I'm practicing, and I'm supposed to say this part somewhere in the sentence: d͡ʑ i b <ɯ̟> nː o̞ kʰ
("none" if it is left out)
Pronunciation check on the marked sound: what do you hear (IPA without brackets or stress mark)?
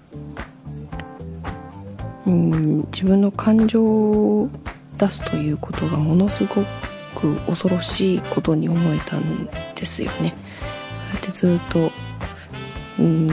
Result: ɯ̟̃